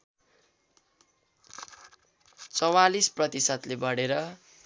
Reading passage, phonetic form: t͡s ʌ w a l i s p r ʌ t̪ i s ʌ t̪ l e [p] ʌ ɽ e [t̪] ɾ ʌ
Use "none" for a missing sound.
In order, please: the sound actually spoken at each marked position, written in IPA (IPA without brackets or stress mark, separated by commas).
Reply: b, none